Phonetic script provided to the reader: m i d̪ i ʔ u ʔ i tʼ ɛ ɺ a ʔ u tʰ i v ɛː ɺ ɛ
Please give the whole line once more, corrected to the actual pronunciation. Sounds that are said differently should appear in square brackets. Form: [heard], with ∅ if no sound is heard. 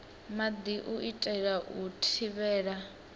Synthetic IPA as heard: m [a] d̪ i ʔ u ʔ i tʼ ɛ ɺ a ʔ u tʰ i [β] ɛː ɺ [a]